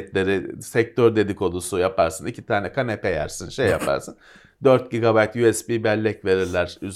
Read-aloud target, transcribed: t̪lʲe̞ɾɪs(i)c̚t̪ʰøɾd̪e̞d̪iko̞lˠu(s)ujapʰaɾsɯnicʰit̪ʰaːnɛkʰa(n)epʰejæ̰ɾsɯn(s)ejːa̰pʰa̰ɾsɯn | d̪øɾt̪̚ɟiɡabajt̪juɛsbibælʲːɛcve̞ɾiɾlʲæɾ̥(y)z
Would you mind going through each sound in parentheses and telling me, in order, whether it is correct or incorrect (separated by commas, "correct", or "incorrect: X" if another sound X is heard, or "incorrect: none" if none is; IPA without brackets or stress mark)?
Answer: incorrect: ɛ, correct, correct, incorrect: ʃ, correct